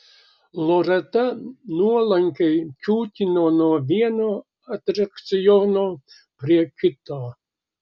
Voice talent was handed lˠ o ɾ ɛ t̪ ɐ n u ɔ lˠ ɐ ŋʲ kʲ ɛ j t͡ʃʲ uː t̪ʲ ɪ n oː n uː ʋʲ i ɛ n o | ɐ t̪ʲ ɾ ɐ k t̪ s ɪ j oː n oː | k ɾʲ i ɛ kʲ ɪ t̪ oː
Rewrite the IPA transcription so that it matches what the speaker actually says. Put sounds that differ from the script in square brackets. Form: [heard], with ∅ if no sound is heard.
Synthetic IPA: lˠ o ɾ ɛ t̪ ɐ n u ɔ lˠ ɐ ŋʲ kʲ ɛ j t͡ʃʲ uː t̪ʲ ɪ n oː n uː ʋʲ i ɛ n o | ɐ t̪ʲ ɾ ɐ k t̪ s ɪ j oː n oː | [p] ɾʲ i ɛ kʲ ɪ t̪ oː